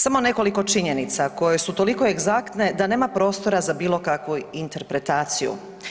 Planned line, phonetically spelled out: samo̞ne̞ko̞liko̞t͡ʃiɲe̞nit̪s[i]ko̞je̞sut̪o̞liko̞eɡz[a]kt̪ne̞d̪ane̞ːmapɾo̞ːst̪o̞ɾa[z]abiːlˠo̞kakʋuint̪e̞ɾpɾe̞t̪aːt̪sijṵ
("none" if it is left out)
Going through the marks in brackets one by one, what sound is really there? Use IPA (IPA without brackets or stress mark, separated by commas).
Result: a, a, z